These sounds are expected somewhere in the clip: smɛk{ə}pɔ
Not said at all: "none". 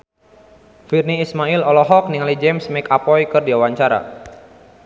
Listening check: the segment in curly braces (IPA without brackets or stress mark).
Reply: a